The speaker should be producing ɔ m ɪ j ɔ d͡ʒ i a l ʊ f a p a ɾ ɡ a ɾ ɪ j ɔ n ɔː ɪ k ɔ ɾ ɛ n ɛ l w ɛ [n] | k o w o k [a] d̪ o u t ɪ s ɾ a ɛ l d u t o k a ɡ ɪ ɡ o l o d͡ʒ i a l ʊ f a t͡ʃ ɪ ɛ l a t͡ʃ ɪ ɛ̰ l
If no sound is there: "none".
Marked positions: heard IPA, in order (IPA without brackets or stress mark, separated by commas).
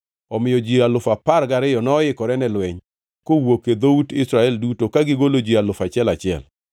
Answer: ɲ, e